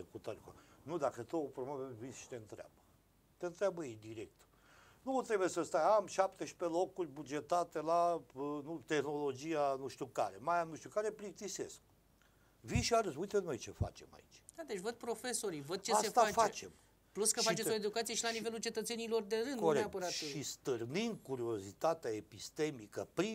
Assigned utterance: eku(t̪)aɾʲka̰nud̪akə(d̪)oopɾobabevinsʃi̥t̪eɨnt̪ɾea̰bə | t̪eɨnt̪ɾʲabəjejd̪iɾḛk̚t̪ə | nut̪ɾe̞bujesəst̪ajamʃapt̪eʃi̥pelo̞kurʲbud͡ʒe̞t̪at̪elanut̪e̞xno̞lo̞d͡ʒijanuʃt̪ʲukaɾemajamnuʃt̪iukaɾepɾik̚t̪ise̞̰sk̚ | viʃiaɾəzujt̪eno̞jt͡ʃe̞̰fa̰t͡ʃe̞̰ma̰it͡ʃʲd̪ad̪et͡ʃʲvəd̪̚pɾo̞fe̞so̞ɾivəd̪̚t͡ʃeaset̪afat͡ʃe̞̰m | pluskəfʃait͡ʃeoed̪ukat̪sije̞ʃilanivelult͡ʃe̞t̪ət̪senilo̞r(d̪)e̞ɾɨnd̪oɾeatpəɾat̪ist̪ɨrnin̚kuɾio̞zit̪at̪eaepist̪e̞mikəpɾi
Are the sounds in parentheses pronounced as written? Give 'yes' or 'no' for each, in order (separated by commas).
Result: yes, no, yes